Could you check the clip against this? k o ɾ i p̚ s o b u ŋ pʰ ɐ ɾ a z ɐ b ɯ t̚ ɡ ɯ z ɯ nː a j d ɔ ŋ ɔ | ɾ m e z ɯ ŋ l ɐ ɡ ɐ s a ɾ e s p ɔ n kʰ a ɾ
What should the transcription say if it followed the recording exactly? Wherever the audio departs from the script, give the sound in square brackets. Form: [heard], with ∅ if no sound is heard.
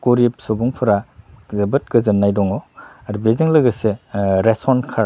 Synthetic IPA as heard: k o ɾ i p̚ s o b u ŋ pʰ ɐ ɾ a z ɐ b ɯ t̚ ɡ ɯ z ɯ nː a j d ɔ ŋ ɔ | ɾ [b] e z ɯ ŋ l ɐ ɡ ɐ s [e] ɾ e s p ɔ n kʰ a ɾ